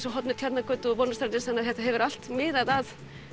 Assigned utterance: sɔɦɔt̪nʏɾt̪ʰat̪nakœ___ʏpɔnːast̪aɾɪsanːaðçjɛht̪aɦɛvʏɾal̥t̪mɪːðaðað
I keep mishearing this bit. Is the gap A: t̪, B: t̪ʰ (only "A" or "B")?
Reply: A